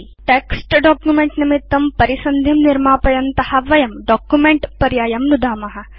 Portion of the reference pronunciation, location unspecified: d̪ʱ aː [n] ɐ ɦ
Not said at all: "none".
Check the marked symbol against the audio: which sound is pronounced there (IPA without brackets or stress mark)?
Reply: m